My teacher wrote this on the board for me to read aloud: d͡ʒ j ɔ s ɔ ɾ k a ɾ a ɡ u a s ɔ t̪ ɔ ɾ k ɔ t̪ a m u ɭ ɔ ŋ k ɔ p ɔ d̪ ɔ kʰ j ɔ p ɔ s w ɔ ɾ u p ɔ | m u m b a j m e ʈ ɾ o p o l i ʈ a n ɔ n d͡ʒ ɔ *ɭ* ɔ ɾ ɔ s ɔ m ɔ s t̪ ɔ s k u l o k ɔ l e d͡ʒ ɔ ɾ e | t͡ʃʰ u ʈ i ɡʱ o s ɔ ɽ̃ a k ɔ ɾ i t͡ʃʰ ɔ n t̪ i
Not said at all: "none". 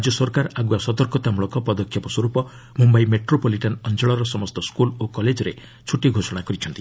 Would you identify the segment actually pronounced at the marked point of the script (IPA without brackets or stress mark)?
ɭ